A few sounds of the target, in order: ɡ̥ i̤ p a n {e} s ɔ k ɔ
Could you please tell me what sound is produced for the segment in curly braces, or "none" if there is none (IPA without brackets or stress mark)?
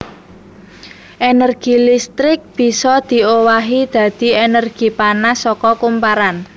a